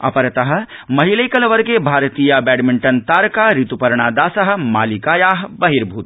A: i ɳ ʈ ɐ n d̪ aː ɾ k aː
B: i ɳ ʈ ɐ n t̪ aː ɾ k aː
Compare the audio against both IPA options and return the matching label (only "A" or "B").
B